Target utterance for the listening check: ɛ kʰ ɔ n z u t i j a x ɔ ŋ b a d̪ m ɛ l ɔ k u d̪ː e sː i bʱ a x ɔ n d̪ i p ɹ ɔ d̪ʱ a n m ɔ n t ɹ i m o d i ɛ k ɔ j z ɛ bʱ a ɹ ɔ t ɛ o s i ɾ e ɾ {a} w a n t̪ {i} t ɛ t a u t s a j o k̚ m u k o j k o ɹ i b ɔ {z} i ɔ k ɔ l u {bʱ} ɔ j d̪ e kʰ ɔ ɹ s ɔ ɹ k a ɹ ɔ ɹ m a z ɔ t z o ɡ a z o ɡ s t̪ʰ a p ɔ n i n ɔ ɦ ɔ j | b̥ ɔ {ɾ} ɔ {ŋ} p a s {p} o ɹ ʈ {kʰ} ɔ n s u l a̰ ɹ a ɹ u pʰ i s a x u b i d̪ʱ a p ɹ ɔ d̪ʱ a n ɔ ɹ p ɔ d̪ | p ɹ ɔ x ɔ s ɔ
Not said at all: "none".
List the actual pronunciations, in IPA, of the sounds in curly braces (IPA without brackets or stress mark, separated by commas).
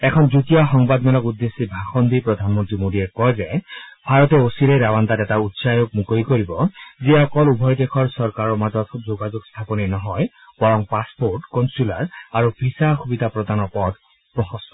a, a, z, bʱ, ɹ, ŋ, p, k